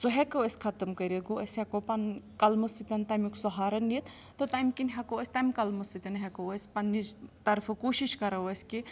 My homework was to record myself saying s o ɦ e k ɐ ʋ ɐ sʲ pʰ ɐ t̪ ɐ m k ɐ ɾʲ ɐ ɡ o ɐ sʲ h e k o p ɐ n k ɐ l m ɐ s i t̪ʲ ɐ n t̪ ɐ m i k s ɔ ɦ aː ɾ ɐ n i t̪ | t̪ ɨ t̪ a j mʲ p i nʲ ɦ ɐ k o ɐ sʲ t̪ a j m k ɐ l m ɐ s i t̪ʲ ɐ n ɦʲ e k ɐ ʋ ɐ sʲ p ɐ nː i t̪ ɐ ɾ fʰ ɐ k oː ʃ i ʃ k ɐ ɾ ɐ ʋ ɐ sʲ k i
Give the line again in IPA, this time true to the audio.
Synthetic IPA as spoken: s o ɦ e k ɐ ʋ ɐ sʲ kʰ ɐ t̪ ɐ m k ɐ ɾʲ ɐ ɡ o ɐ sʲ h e k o p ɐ n k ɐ l m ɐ s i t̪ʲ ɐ n t̪ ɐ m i k s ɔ ɦ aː ɾ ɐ n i t̪ | t̪ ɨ t̪ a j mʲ k i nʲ ɦ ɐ k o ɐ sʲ t̪ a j m k ɐ l m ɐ s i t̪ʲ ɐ n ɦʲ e k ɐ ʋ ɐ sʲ p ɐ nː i t̪ ɐ ɾ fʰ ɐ k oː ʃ i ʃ k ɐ ɾ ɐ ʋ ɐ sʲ k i